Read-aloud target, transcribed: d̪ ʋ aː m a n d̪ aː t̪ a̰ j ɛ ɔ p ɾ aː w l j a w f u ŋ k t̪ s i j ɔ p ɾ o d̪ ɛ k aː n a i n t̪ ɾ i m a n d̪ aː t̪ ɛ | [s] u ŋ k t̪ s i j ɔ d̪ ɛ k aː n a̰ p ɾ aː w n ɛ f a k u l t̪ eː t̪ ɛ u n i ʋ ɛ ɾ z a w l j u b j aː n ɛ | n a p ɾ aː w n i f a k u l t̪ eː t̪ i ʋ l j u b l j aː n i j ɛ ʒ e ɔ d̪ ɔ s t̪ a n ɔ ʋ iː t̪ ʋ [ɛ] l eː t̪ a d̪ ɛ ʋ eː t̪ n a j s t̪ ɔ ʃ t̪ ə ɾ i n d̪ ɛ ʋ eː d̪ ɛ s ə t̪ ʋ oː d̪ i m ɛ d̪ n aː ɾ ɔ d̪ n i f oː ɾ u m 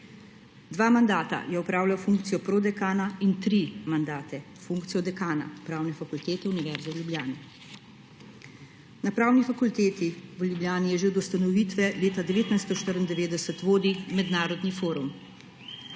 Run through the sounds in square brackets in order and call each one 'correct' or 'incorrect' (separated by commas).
incorrect, correct